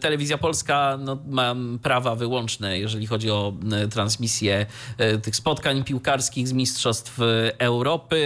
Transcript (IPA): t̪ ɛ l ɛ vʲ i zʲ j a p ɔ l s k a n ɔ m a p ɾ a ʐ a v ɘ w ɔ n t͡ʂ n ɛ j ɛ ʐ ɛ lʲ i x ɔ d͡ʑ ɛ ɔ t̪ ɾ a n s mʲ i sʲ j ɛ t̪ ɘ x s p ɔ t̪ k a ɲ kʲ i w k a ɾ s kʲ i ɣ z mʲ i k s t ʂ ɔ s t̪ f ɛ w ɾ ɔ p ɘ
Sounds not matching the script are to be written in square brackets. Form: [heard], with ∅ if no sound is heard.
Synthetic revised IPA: t̪ ɛ l ɛ vʲ i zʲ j a p ɔ l s k a n ɔ m a p ɾ a [v] a v ɘ w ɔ n t͡ʂ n ɛ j ɛ ʐ ɛ lʲ i x ɔ d͡ʑ [i] ɔ t̪ ɾ a n s mʲ i sʲ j ɛ t̪ ɘ x s p ɔ t̪ k a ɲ [pʲ] i w k a ɾ s kʲ i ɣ z mʲ i [∅] s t ʂ ɔ s t̪ f ɛ w ɾ ɔ p ɘ